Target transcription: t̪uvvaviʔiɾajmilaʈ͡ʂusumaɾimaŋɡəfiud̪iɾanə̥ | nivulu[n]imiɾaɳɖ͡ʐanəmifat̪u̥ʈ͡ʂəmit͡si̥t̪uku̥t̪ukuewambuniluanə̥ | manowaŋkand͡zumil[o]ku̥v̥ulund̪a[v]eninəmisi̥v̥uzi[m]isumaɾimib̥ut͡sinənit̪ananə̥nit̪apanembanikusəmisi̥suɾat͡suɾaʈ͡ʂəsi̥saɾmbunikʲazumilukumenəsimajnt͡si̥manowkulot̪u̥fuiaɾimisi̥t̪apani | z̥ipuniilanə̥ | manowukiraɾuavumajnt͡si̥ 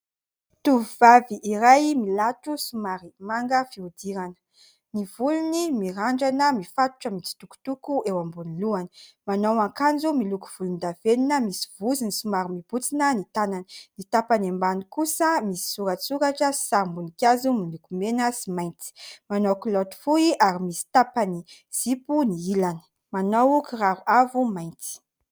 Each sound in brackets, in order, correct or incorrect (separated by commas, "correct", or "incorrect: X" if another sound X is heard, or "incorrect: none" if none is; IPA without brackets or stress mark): correct, incorrect: u, correct, incorrect: n